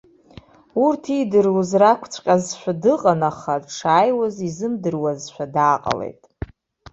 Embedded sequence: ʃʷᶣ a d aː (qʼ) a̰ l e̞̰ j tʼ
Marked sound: correct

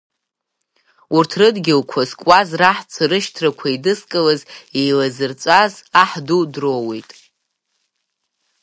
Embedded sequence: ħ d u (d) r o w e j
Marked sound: correct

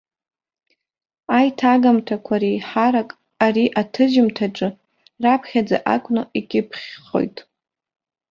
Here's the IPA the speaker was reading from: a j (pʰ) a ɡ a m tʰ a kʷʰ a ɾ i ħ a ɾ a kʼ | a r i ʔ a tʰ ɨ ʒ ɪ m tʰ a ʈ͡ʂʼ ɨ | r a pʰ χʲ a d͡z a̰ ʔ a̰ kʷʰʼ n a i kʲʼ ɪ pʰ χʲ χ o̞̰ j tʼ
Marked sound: incorrect: tʰ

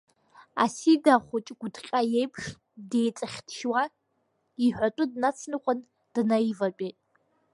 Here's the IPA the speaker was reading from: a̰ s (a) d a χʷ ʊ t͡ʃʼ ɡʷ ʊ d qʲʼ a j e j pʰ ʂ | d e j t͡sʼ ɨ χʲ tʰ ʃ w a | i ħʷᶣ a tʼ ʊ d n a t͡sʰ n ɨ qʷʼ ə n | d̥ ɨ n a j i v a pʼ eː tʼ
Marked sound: incorrect: i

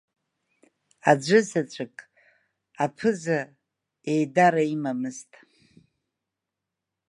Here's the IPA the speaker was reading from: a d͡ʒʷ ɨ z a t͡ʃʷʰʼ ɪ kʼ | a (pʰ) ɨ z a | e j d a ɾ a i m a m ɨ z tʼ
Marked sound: correct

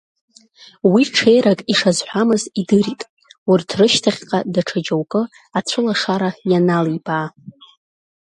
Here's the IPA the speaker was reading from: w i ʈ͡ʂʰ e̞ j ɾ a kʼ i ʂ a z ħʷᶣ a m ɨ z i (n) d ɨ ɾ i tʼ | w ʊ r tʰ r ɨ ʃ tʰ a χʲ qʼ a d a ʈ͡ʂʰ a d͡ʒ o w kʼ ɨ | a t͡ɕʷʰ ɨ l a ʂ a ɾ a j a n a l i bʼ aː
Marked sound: incorrect: none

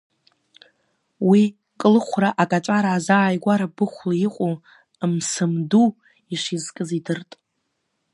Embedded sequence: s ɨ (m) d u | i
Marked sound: correct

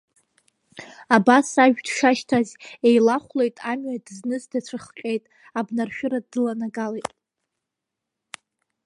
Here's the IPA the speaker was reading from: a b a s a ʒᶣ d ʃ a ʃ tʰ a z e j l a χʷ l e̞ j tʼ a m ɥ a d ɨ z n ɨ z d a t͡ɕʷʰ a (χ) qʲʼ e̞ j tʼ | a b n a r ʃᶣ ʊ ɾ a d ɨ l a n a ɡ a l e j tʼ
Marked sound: correct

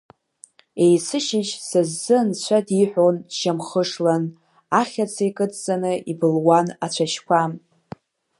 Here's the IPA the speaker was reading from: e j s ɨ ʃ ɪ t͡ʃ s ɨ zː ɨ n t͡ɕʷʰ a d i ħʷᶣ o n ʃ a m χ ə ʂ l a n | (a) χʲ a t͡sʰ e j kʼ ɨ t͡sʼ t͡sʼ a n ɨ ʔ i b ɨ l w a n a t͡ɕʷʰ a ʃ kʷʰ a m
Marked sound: correct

